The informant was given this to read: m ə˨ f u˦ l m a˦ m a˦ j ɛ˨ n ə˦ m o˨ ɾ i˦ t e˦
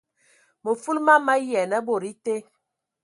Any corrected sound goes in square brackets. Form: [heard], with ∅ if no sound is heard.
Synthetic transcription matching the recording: m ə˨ f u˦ l m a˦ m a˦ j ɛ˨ n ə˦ [b] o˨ ɾ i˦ t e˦